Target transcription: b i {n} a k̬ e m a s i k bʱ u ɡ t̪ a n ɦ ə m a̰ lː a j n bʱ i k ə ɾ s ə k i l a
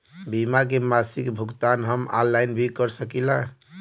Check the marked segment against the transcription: incorrect: m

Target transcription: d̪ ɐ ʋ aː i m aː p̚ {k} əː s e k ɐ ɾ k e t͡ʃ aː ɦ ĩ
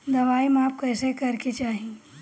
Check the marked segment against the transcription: correct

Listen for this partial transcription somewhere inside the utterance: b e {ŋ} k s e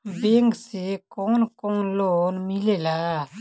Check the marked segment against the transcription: correct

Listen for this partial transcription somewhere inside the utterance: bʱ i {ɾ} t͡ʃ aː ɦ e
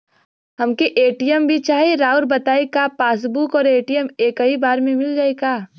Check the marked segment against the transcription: incorrect: none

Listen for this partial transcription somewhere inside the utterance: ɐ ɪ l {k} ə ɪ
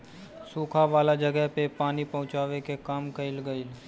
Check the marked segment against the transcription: incorrect: ɡ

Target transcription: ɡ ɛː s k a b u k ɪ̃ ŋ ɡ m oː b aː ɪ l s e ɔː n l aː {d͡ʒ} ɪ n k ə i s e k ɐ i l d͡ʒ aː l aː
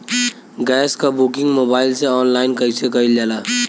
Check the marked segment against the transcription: incorrect: none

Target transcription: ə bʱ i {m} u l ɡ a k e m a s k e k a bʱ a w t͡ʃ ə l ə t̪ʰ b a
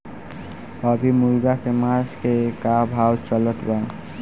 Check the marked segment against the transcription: correct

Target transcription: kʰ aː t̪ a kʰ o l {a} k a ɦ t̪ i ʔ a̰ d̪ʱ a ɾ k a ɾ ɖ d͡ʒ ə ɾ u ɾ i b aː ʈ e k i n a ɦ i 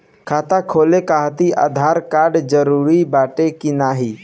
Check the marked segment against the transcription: incorrect: e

